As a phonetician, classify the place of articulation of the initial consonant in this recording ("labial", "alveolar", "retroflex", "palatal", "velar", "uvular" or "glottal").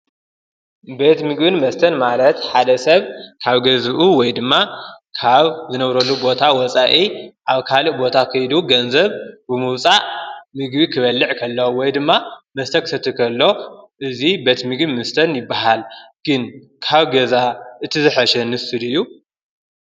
labial